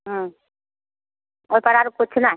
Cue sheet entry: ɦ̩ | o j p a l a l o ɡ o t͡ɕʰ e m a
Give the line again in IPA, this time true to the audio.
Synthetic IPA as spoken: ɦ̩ | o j p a ɾ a ɾ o k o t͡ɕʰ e n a

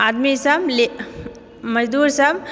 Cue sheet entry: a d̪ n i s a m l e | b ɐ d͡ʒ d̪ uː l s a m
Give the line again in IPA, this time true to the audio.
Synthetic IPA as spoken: a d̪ m i s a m l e | m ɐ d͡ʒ d̪ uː ɾ s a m

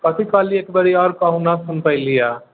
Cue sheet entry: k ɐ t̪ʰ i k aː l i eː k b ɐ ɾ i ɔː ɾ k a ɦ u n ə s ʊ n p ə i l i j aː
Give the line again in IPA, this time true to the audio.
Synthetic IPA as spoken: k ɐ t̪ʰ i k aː l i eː k b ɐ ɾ i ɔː ɾ k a ɦ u n a s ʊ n p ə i l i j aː

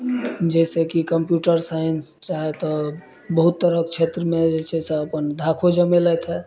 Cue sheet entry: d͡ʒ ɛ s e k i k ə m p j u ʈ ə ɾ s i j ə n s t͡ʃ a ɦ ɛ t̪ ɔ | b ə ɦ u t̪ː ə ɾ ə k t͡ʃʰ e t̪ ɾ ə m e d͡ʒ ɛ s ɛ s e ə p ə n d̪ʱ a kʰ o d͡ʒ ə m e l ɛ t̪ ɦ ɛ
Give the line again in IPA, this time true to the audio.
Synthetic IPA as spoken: d͡ʒ ɛ s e k i k ə m p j u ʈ ə ɾ s a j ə n s t͡ʃ a ɦ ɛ t̪ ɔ | b ə ɦ u t̪ː ə ɾ ə k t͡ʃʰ e t̪ ɾ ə m e d͡ʒ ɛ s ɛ s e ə p ə n d̪ʱ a kʰ o d͡ʒ ə m e l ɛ t̪ ɦ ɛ

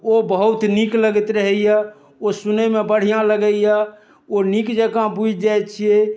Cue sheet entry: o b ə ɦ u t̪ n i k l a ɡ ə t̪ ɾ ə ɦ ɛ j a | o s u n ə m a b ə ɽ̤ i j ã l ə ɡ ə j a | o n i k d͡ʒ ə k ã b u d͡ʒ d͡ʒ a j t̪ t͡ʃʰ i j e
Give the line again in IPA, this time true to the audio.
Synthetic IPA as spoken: o b ə ɦ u t̪ n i k l ə ɡ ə t̪ ɾ ə ɦ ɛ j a | o s u n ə m e b ə ɽ̤ i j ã l ə ɡ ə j a | o n i k d͡ʒ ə k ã b u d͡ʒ d͡ʒ a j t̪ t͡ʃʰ i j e

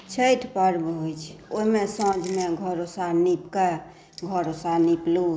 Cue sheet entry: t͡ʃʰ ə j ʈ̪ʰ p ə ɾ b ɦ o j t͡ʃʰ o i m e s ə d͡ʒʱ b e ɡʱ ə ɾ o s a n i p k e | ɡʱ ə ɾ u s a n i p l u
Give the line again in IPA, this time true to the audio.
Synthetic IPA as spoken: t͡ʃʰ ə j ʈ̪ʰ p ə ɾ b ɦ o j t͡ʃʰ o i m e s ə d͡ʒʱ m e ɡʱ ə ɾ o s a n i p k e | ɡʱ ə ɾ o s a n i p l u

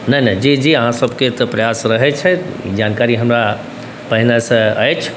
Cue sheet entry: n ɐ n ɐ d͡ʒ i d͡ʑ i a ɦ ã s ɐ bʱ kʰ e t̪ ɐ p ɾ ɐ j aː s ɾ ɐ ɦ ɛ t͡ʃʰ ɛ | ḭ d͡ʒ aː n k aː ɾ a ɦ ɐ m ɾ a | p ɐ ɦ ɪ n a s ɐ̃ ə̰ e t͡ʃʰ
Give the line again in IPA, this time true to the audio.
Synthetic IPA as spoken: n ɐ n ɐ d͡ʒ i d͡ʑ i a ɦ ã s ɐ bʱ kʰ e t̪ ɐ p ɾ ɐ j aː s ɾ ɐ ɦ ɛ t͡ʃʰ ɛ | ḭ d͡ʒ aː n k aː ɾ i ɦ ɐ m ɾ a | p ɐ ɦ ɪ n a s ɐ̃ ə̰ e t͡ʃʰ

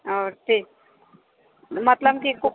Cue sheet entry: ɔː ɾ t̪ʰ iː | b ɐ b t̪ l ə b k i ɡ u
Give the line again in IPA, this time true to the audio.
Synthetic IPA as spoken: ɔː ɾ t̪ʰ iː | m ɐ t̪ l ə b k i k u

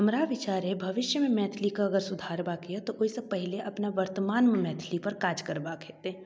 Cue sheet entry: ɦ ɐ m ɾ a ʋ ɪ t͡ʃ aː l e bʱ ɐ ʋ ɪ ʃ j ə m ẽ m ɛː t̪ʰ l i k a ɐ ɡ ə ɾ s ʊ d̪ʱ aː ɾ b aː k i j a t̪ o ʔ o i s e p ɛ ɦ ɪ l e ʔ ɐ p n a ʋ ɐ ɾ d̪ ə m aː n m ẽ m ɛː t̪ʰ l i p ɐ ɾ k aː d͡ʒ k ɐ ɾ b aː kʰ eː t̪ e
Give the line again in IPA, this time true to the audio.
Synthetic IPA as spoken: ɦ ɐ m ɾ a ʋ ɪ t͡ʃ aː ɾ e bʱ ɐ ʋ ɪ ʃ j ə m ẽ m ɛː t̪ʰ l i k a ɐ ɡ ə ɾ s ʊ d̪ʱ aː ɾ b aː k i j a t̪ o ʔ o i s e p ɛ ɦ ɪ l e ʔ ɐ p n a ʋ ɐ ɾ t̪ ə m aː n m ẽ m ɛː t̪ʰ l i p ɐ ɾ k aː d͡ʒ k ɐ ɾ b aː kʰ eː t̪ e

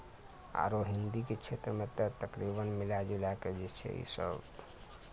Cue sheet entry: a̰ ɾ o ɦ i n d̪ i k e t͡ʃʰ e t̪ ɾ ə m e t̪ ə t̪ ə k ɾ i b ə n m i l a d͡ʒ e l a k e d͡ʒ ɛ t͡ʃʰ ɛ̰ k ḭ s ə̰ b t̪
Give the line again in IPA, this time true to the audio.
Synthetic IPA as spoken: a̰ ɾ o ɦ i n d̪ i k e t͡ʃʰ e t̪ ɾ ə m e t̪ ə t̪ ə k ɾ i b ə n m i l a d͡ʒ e l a k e d͡ʒ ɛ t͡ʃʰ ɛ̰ ḭ s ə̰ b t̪

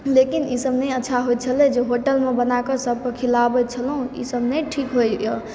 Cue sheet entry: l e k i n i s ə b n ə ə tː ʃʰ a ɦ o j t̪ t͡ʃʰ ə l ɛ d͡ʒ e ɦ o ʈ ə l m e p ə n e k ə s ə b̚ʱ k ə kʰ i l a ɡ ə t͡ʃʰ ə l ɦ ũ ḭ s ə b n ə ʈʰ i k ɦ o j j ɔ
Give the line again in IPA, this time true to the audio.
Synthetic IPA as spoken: l e k i n i s ə b n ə ə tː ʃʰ a ɦ o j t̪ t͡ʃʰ ə l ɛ d͡ʒ e ɦ o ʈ ə l m e b ə n a k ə s ə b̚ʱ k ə kʰ i l a b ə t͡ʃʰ ə l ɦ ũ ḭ s ə b n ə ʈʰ i k ɦ o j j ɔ

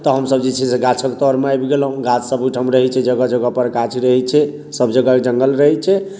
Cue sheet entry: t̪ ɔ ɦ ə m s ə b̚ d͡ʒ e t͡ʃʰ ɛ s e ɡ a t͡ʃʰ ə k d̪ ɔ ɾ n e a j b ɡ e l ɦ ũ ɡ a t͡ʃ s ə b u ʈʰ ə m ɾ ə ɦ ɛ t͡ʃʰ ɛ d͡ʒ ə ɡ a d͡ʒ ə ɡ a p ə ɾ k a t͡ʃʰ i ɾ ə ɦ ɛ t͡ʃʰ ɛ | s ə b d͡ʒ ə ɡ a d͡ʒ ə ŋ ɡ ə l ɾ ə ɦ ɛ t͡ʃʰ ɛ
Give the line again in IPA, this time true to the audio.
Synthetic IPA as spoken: t̪ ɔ ɦ ə m s ə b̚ d͡ʒ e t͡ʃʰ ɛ s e ɡ a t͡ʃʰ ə k t̪ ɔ ɾ m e a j b ɡ e l ɦ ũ ɡ a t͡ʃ s ə b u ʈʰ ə m ɾ ə ɦ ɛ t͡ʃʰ ɛ d͡ʒ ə ɡ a d͡ʒ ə ɡ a p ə ɾ k a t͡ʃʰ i ɾ ə ɦ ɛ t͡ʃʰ ɛ | s ə b d͡ʒ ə ɡ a d͡ʒ ə ŋ ɡ ə l ɾ ə ɦ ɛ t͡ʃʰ ɛ

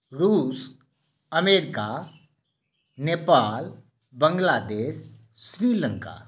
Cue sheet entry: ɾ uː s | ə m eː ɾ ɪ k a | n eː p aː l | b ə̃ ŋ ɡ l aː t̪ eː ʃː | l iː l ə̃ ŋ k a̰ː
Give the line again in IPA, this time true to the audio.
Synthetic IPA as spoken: ɾ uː s | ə m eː ɾ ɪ k a | n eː p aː l | b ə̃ ŋ ɡ l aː d̪ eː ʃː | ɾ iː l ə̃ ŋ k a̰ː

